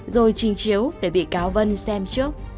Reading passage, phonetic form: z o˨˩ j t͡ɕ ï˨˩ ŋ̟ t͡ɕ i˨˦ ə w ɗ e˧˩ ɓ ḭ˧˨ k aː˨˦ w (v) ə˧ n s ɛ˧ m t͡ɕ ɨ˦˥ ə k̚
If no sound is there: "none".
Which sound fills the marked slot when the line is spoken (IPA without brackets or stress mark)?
v